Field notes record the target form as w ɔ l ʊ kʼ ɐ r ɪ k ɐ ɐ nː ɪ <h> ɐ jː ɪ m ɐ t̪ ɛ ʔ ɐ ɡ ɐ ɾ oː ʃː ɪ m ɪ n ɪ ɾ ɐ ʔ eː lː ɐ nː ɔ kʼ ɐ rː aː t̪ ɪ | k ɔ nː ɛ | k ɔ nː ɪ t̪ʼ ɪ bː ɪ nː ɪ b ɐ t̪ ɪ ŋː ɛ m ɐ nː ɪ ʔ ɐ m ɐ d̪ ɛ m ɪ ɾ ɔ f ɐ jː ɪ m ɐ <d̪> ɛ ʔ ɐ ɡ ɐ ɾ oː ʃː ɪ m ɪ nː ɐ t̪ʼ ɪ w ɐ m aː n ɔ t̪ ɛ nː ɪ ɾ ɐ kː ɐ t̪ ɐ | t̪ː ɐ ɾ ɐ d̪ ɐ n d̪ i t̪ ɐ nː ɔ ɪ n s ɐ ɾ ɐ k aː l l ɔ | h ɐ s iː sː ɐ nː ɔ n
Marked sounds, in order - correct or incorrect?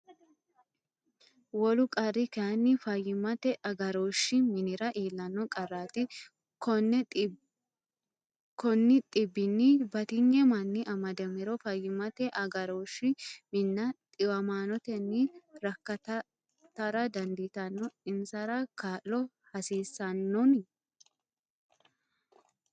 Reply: incorrect, incorrect

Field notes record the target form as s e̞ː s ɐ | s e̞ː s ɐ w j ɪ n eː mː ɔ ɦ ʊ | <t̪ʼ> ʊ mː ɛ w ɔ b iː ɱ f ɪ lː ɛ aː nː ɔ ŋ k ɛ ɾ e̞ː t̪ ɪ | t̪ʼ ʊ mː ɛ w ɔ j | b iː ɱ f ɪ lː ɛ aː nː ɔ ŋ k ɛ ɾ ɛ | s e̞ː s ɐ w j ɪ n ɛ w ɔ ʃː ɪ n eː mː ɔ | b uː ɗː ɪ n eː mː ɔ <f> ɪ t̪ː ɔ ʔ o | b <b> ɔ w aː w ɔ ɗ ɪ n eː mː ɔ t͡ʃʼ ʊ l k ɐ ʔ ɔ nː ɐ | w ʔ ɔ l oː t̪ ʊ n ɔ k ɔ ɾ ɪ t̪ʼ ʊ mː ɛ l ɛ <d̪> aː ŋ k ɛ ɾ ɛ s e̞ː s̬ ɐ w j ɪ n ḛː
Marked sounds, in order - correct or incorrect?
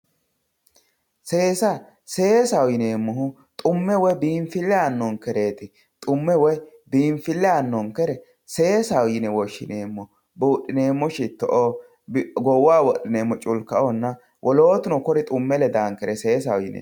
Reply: correct, incorrect, incorrect, correct

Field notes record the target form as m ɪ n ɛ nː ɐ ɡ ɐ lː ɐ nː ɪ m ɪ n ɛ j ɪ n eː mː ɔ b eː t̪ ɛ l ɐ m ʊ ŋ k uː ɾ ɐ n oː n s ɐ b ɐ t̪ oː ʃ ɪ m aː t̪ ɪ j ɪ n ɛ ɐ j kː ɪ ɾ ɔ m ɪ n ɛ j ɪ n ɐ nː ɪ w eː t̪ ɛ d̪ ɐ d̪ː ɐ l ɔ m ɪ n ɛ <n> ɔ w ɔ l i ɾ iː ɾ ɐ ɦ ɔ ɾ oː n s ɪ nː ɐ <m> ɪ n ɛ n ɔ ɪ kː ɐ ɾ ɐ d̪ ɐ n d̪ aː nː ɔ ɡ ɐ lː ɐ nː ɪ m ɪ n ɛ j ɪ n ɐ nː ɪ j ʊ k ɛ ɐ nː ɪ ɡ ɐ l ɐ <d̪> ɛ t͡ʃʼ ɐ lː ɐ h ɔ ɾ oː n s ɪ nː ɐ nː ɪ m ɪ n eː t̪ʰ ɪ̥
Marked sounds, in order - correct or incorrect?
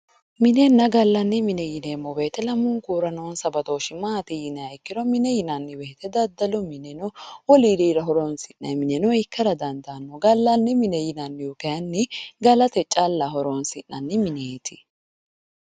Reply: correct, correct, incorrect

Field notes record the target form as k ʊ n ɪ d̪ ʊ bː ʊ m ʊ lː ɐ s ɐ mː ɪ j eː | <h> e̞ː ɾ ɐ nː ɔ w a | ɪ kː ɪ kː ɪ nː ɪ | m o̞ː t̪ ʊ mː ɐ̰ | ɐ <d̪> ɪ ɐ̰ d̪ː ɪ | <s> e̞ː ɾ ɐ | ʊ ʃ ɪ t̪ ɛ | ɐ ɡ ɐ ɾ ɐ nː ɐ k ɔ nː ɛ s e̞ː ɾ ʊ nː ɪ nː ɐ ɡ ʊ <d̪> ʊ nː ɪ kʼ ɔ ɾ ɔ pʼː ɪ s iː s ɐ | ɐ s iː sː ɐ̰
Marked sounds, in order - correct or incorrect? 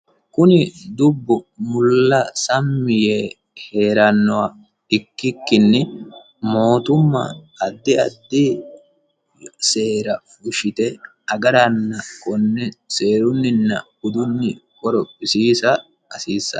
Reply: correct, incorrect, correct, correct

